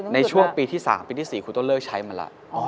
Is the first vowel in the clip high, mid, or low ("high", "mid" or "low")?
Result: low